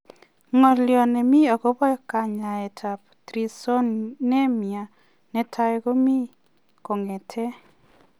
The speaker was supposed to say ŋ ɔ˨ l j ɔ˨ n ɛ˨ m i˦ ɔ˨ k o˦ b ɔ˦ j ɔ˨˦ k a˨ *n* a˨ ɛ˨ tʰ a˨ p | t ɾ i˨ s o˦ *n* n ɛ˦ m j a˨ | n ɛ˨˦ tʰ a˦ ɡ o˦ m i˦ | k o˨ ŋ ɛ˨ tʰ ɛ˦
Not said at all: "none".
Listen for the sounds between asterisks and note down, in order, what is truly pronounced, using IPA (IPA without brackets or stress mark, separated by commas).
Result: ɲ, n